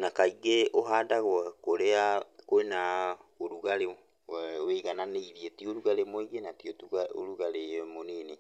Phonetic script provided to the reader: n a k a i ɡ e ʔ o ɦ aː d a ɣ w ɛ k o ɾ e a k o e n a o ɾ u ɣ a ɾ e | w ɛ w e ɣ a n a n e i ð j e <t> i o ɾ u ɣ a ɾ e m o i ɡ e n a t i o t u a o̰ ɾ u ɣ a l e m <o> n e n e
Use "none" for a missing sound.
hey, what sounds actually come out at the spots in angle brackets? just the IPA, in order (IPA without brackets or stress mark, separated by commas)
t, o